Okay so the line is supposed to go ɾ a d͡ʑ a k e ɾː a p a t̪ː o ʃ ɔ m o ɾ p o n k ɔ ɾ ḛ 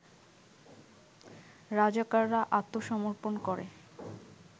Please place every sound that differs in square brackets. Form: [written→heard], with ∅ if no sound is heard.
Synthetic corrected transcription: ɾ a d͡ʑ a k [e→a] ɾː a [p→ʔ] a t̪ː o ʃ ɔ m o ɾ p o n k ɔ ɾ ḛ